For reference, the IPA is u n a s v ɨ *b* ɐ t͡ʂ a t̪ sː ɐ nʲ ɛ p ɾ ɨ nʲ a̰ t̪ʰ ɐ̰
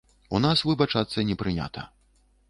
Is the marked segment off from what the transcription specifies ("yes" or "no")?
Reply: no